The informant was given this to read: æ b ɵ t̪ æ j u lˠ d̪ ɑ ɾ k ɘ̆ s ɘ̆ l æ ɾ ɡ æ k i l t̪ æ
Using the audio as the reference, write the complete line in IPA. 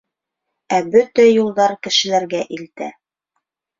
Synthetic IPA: æ b ɵ t̪ æ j u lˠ d̪ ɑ ɾ k ɘ̆ ʃ ɘ̆ l æ ɾ ɡ æ ʔ i l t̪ æ